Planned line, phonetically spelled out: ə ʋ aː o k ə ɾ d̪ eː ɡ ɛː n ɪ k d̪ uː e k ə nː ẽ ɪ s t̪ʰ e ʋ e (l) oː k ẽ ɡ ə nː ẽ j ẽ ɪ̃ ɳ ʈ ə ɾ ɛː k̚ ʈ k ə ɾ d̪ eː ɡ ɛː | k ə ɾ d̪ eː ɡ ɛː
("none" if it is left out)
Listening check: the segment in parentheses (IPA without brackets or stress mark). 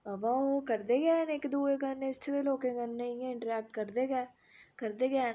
l